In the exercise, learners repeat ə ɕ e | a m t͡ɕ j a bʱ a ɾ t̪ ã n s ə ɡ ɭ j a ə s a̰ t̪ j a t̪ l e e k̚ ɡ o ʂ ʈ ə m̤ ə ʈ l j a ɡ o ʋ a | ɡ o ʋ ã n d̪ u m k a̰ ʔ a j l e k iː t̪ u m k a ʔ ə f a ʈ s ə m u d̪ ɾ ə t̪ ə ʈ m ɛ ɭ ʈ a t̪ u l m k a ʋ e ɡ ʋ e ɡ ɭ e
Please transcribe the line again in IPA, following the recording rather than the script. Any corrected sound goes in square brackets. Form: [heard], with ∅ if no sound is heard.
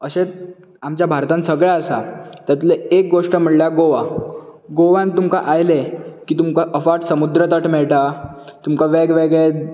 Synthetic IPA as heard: ə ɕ e | a m t͡ɕ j a bʱ a ɾ t̪ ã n s ə ɡ ɭ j a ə s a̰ t̪ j a t̪ l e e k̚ ɡ o ʂ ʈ ə m̤ ə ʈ l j a ɡ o ʋ a | ɡ o ʋ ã n [t̪] u m k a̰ ʔ a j l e k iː t̪ u m k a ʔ ə f a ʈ s ə m u d̪ ɾ ə t̪ ə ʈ m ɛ ɭ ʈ a t̪ u [∅] m k a ʋ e ɡ ʋ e ɡ ɭ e